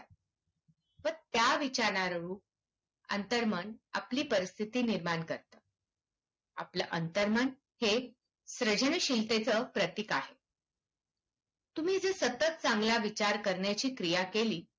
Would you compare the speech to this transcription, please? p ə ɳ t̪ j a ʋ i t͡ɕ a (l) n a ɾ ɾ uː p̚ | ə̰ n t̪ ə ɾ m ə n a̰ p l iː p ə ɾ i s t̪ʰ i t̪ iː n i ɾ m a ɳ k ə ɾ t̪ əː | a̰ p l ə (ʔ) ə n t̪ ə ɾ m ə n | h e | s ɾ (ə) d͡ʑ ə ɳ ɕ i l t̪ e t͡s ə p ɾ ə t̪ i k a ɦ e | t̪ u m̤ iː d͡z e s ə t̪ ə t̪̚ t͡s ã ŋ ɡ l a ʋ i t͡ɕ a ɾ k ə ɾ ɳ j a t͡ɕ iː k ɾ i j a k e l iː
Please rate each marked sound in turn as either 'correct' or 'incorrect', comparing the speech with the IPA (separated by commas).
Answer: incorrect, correct, correct